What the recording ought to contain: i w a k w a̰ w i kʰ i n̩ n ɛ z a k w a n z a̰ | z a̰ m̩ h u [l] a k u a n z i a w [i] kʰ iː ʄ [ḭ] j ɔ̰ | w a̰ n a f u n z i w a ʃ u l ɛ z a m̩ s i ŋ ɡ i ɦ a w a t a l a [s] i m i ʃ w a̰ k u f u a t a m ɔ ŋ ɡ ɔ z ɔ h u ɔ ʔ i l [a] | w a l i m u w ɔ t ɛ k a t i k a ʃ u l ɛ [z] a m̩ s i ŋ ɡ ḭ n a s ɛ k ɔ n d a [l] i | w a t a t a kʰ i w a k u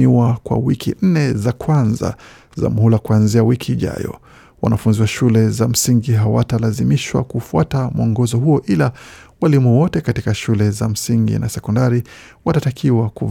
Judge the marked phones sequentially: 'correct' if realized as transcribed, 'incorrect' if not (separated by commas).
correct, correct, incorrect, incorrect, correct, correct, incorrect